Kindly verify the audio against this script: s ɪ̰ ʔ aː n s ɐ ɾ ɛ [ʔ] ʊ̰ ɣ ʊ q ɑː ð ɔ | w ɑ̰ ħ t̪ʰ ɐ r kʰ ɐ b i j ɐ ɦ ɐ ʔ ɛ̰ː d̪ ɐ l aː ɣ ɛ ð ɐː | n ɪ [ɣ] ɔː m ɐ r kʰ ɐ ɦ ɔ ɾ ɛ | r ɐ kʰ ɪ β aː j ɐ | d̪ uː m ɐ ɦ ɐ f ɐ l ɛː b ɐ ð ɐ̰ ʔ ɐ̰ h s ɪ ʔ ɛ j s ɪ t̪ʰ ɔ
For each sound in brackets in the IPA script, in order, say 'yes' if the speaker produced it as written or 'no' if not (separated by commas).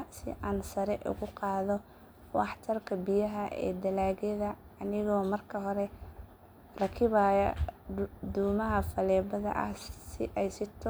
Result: yes, yes